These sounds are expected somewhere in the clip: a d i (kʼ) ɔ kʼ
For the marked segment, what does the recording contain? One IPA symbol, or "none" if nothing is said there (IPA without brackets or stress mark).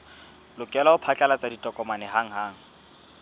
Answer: tʼ